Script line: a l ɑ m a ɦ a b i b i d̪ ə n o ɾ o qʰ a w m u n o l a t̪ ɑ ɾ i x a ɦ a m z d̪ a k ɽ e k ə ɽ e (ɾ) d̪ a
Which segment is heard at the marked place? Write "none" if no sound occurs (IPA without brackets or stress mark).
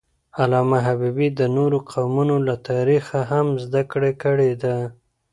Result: none